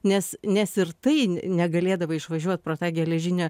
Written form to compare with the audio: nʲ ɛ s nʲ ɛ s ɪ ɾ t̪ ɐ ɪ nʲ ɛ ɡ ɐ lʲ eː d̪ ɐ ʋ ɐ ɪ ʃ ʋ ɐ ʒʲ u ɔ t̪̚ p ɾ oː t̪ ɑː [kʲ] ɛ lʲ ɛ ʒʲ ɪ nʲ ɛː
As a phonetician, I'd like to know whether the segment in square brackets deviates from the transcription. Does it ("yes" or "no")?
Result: yes